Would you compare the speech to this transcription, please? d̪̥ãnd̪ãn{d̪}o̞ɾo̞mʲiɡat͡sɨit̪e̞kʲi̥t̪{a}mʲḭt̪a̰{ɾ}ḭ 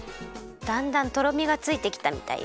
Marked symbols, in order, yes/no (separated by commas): no, yes, no